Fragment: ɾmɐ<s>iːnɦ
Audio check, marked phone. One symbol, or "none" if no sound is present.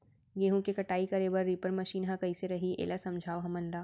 ʃ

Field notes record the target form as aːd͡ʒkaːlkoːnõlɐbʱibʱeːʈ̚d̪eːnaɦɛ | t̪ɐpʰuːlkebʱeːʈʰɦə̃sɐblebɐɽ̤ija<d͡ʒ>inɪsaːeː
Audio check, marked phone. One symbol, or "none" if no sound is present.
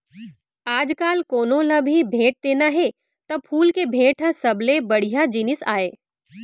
d͡ʒ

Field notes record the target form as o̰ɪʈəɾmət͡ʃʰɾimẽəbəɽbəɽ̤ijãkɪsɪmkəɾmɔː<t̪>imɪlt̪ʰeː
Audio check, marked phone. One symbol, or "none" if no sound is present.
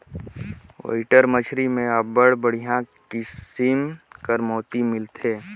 t̪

